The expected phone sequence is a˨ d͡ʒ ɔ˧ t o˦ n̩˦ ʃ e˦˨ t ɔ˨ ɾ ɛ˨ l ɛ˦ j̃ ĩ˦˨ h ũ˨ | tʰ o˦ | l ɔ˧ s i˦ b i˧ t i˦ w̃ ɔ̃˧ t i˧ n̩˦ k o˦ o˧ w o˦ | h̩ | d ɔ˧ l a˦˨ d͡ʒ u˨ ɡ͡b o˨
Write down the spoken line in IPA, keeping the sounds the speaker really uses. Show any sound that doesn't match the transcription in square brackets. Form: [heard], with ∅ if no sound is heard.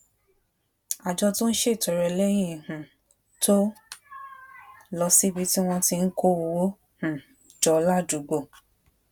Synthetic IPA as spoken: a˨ d͡ʒ ɔ˧ t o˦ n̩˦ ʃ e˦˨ t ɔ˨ ɾ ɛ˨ l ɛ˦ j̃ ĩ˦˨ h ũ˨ | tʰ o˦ | l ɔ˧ s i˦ b i˧ t i˦ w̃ ɔ̃˧ t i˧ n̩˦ k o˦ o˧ w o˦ | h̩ | [d͡ʒ] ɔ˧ l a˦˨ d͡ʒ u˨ ɡ͡b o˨